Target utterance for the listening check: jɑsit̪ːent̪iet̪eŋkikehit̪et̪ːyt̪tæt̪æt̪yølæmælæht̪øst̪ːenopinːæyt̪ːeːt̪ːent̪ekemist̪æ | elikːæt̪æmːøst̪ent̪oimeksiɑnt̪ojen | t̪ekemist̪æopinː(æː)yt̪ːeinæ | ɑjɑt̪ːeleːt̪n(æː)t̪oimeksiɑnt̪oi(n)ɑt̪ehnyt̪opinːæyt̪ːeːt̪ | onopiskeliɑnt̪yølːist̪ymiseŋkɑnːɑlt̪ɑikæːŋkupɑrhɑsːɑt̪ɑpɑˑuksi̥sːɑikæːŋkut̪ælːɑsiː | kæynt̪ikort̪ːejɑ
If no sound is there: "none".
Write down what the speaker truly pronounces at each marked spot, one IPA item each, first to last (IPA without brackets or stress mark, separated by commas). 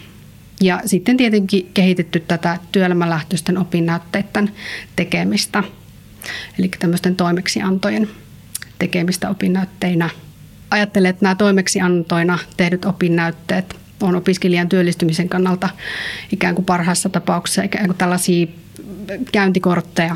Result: æ, æː, n